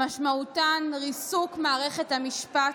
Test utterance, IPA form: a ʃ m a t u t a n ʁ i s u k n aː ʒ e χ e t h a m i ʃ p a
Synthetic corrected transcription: a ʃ m a u t a n ʁ i s u k m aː ʁ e χ e t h a m i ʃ p a